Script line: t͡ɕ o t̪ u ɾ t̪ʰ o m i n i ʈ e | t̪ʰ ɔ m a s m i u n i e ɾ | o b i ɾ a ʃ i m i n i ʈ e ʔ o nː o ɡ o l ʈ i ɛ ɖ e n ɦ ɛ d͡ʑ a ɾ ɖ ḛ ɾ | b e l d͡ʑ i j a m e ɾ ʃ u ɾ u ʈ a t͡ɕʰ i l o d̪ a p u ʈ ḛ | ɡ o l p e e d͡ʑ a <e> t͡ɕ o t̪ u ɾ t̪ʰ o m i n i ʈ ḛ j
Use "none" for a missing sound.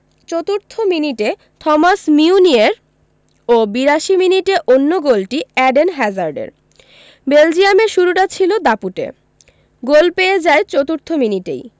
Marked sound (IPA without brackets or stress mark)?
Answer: e